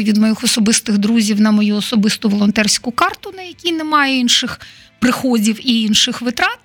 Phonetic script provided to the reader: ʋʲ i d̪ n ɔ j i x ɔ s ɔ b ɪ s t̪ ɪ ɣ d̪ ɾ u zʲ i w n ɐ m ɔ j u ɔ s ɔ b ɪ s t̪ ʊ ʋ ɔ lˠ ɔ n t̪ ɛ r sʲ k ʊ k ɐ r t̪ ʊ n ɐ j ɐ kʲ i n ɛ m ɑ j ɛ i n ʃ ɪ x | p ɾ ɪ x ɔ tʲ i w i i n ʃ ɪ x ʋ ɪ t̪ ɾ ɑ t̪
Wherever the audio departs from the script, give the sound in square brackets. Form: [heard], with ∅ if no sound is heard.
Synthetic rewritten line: ʋʲ i d̪ [m] ɔ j i x ɔ s ɔ b ɪ s t̪ ɪ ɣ d̪ ɾ u zʲ i w n ɐ m ɔ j u ɔ s ɔ b ɪ s t̪ ʊ ʋ ɔ lˠ ɔ n t̪ ɛ r sʲ k ʊ k [ɑ] r t̪ ʊ n ɐ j ɐ kʲ i n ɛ m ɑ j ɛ i n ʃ ɪ x | p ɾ ɪ x ɔ [dʲ] i w i i n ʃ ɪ x ʋ ɪ t̪ ɾ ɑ t̪